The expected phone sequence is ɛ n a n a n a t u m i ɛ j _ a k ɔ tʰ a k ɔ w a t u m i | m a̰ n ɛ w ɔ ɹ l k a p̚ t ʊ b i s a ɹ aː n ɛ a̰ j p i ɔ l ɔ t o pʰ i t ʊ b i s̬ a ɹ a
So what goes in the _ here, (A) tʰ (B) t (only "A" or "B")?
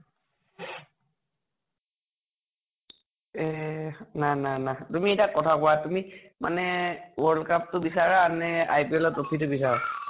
B